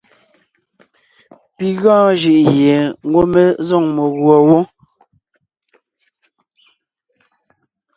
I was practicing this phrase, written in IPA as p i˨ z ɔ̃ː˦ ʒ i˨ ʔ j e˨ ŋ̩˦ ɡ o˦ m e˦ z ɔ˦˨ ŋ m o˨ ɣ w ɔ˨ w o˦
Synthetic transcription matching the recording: p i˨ ɣ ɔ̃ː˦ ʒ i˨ ʔ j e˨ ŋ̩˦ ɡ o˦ m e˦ z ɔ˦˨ ŋ m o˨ ɣ w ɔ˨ w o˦